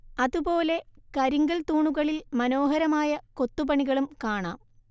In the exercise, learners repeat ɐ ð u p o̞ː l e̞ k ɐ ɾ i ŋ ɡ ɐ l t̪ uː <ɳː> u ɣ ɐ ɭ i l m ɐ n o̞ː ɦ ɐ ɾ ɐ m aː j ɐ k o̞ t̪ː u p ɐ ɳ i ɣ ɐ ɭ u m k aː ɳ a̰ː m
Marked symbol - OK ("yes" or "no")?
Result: no